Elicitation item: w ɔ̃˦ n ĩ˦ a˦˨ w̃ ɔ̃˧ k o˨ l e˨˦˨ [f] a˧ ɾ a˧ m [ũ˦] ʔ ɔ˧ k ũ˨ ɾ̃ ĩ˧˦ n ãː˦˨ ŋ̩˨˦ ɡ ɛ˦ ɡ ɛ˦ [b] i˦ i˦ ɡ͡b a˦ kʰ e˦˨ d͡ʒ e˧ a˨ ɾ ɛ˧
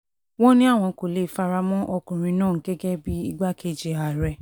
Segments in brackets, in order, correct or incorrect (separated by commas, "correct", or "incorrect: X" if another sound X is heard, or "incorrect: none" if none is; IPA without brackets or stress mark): correct, incorrect: ɔ̃˦, correct